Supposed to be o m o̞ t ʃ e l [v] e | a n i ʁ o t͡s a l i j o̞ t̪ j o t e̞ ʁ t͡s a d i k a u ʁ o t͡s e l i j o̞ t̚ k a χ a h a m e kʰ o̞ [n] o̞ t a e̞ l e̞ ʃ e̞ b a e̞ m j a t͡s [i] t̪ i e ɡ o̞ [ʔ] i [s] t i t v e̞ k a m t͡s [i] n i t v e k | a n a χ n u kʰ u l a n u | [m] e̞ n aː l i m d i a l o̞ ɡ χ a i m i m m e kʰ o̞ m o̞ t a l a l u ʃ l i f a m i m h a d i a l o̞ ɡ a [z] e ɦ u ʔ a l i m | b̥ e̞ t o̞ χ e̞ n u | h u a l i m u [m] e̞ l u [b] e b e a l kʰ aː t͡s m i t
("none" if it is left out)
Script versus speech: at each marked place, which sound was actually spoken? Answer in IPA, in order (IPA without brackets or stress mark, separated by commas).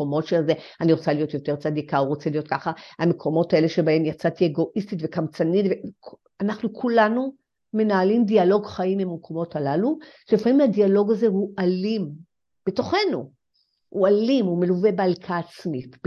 z, m, a, ʔ, s, a, m, z, m, v